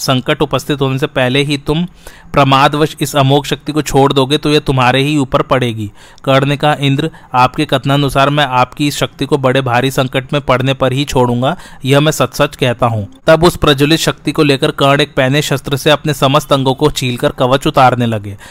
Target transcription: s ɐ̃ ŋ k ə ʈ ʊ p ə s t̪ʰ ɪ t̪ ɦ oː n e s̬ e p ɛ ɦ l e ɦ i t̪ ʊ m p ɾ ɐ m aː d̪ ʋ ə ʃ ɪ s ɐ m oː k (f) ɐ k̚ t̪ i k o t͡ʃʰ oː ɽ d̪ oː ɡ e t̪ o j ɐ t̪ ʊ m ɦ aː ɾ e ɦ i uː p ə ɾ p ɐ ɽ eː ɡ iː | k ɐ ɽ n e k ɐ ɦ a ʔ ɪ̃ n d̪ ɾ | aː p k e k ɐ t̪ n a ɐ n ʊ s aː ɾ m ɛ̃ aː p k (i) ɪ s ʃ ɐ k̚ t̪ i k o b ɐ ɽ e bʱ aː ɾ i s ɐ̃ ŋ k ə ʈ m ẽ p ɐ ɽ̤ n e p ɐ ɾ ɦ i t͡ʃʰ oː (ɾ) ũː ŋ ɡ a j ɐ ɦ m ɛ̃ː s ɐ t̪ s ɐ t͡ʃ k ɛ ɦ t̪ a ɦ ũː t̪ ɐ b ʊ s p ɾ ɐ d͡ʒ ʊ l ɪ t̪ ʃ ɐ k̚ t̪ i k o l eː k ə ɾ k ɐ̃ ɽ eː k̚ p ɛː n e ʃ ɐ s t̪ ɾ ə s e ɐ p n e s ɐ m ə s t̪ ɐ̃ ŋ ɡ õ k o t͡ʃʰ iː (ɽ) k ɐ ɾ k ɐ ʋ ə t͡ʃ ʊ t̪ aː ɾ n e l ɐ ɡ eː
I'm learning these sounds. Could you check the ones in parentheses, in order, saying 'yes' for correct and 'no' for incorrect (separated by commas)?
no, yes, no, no